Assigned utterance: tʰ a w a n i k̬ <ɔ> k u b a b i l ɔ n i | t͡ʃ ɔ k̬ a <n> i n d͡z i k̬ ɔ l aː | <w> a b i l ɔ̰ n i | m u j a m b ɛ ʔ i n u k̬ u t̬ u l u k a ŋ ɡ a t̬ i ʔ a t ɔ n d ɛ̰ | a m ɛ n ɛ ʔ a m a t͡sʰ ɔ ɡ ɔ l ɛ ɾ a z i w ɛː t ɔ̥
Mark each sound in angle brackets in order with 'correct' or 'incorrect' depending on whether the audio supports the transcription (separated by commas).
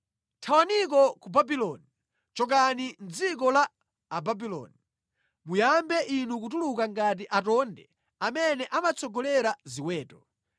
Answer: correct, correct, incorrect